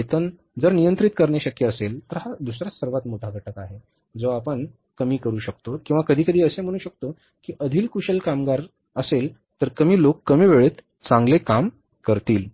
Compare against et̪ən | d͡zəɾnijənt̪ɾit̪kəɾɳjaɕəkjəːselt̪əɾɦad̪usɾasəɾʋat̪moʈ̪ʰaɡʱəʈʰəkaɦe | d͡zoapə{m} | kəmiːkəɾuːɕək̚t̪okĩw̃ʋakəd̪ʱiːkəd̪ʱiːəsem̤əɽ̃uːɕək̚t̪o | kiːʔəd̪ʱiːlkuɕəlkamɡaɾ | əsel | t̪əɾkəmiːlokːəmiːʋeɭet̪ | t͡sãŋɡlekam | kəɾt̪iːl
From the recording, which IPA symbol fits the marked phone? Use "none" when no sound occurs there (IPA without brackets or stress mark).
ɳ